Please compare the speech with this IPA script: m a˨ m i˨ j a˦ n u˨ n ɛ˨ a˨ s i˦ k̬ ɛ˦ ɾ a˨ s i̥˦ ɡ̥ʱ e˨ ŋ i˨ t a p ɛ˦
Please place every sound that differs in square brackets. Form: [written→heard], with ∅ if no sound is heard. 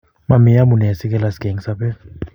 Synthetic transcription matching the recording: m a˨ m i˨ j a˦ [n→m] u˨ n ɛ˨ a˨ s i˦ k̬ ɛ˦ [ɾ→l] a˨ s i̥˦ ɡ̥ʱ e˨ ŋ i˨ [t→s] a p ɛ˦